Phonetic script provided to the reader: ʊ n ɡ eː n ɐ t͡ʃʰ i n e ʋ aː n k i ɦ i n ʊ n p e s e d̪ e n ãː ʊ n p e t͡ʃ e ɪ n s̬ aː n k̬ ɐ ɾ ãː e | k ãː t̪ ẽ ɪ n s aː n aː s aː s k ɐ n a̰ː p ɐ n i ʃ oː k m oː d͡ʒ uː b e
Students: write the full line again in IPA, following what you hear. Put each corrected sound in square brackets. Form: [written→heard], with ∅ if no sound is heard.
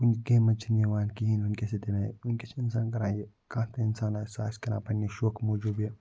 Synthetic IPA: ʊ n ɡ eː [n→m] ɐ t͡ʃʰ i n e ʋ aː n k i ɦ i n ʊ n [p→k] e s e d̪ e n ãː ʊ n [p→k] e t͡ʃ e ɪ n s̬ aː n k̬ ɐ ɾ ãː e | k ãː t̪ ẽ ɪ n s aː n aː s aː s k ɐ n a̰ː p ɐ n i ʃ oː k m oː d͡ʒ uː b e

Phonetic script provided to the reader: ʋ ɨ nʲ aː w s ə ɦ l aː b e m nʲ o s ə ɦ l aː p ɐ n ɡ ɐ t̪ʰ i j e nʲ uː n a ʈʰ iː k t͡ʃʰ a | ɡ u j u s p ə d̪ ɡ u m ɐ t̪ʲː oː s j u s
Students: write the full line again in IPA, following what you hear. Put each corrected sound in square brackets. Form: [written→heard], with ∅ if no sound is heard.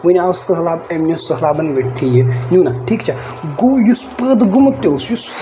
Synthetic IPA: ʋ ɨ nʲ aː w s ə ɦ l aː b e m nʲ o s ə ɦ l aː [p→b] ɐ n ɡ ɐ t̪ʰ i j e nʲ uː n a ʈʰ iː k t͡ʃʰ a | ɡ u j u s p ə d̪ ɡ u m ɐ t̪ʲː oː s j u s

